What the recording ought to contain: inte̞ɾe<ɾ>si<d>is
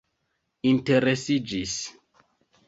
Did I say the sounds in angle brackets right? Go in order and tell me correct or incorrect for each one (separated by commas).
incorrect, incorrect